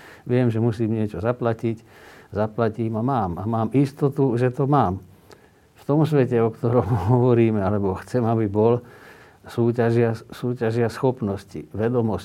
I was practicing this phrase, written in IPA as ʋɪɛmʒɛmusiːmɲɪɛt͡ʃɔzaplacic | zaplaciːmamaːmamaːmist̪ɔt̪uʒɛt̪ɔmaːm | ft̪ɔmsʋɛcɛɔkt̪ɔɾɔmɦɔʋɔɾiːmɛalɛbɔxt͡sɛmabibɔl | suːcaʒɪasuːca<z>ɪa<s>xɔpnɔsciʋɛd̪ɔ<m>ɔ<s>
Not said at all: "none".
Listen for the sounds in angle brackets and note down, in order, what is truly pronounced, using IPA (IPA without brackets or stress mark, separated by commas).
ʒ, s, m, s